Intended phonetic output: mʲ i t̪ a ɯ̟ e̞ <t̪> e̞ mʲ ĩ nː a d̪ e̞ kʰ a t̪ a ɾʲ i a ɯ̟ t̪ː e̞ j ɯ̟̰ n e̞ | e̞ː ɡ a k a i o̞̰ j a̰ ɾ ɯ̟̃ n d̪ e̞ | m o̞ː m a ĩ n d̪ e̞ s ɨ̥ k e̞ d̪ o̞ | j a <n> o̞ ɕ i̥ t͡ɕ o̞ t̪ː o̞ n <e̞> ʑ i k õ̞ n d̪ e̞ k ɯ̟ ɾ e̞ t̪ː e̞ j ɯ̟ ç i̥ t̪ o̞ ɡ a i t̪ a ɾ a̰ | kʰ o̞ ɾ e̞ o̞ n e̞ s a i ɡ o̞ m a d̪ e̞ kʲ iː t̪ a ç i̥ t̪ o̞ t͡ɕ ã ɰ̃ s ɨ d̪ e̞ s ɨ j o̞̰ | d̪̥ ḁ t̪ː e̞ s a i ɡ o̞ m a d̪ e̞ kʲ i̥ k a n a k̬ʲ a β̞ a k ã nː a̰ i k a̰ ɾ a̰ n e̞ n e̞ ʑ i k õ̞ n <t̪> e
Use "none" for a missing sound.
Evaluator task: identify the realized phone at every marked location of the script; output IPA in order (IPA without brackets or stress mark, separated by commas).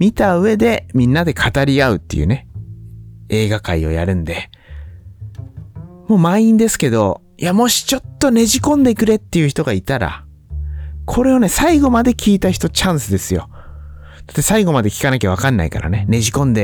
d̪, m, e̞, d̪